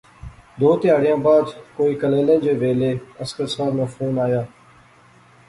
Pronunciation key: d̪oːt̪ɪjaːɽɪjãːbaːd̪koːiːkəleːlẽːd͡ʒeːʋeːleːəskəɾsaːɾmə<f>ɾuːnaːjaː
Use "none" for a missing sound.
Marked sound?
f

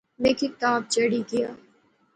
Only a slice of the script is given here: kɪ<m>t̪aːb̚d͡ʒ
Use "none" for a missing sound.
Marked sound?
none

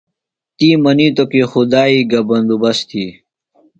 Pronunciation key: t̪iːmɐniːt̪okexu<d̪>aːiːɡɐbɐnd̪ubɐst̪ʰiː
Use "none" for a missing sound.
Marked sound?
d̪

